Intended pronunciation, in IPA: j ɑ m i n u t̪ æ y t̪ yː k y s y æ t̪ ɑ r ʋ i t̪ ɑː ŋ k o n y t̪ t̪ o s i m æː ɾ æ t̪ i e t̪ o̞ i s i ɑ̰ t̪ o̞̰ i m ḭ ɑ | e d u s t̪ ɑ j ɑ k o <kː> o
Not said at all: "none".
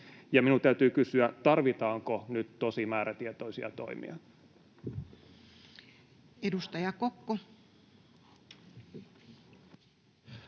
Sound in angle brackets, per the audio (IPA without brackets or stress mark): kː